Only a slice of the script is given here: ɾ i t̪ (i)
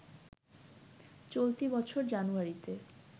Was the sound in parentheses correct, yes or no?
no